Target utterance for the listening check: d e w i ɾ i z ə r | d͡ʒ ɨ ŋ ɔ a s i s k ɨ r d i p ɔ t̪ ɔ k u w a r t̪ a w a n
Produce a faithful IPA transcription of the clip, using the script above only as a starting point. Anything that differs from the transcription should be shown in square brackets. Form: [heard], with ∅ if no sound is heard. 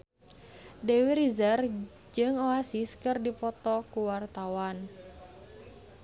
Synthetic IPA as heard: d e w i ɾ i z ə r | d͡ʒ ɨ ŋ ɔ a s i s k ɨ r d i p ɔ t̪ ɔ k u w a r t̪ a w a n